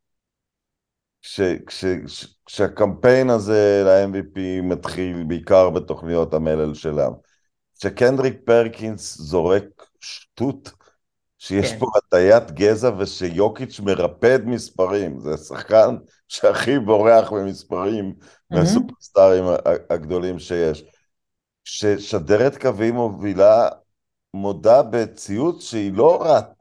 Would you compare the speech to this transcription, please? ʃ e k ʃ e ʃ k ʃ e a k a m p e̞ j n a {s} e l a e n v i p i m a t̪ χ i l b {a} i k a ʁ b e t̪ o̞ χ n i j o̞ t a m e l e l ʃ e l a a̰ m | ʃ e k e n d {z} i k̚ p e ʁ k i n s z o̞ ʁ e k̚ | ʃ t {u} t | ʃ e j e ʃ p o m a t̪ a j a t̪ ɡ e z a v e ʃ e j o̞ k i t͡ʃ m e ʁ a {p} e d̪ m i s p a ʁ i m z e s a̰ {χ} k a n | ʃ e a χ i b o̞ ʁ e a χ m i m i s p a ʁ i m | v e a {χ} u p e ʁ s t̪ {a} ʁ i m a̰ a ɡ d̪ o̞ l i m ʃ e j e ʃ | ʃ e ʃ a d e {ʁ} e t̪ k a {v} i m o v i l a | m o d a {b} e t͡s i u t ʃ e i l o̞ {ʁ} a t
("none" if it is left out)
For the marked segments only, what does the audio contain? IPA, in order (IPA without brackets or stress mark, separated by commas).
z, e, ʁ, u, p, χ, s, a, ʁ, v, b, ʁ